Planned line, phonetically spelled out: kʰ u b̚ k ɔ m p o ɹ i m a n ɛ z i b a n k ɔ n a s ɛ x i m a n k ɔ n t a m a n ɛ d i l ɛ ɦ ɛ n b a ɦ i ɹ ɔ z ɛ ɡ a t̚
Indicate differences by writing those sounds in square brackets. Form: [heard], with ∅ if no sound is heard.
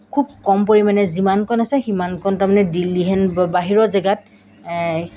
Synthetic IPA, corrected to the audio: kʰ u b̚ k ɔ m p o ɹ i m a n ɛ z i [m] a n k ɔ n a s ɛ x i m a n k ɔ n t a m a n ɛ d i l [i] ɦ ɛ n b a ɦ i ɹ ɔ z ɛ ɡ a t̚